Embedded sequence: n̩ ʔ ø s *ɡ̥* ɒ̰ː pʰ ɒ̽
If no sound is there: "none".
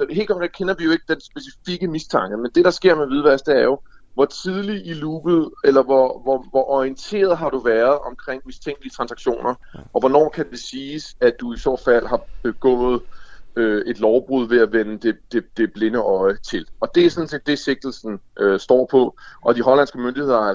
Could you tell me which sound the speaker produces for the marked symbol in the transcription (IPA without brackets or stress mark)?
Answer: d̥